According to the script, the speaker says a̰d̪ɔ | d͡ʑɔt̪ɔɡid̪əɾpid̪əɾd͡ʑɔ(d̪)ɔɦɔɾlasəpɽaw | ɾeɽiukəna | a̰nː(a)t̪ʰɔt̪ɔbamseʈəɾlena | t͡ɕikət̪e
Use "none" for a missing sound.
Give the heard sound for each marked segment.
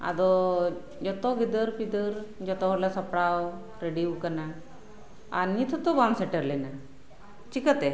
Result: t̪, i

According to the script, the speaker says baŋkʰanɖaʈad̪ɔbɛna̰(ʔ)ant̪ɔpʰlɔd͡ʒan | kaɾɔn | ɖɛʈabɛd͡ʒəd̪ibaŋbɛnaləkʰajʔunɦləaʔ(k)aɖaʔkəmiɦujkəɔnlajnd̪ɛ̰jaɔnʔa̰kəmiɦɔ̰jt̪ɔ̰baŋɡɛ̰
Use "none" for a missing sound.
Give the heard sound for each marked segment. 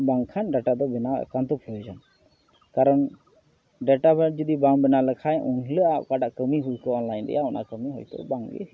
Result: k, k

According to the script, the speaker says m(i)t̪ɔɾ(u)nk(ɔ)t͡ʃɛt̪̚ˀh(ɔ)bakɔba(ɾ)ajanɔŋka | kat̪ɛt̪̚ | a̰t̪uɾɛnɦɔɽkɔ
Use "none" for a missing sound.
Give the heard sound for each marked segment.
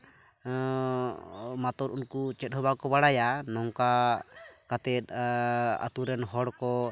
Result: a, u, u, ɔ, ɽ

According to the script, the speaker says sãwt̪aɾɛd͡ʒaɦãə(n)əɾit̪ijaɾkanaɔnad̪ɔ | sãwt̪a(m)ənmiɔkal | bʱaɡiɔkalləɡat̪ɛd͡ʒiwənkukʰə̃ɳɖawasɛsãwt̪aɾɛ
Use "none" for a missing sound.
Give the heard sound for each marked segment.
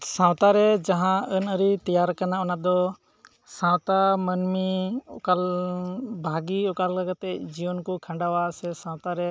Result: n, m

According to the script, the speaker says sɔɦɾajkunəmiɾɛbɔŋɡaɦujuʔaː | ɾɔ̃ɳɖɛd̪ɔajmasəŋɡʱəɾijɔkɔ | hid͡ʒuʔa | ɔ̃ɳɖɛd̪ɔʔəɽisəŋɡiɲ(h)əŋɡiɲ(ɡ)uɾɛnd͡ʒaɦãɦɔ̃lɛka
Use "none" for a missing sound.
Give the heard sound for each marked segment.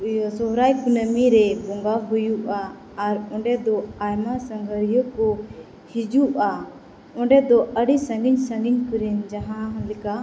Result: s, k

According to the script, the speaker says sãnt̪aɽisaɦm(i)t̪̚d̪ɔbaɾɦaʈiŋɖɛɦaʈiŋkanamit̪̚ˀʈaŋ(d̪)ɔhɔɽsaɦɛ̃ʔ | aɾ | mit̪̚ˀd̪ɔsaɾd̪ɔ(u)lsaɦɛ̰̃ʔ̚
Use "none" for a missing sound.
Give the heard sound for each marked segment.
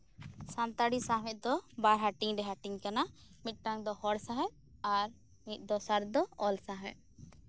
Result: ɛ, d̪, ɔ

